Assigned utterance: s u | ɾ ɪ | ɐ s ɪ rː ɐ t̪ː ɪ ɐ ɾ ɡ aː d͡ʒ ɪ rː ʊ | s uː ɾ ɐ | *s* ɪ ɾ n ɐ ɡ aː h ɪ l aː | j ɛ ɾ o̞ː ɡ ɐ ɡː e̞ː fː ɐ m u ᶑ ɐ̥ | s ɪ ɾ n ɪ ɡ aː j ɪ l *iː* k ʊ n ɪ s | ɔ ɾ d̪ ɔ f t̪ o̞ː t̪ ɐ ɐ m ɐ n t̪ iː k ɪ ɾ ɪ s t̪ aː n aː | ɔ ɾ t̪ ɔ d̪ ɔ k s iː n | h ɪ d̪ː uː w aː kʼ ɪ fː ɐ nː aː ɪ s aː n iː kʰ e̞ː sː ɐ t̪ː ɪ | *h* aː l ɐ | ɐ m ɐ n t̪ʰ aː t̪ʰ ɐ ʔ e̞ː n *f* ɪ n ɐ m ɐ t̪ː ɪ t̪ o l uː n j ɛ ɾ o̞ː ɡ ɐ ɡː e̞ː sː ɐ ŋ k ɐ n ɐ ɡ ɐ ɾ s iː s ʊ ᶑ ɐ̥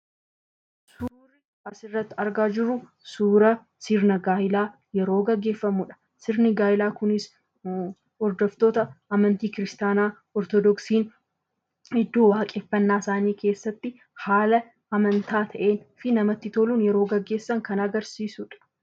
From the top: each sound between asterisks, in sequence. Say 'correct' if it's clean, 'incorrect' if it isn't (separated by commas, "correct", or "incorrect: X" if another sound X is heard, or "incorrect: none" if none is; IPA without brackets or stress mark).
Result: correct, incorrect: aː, correct, correct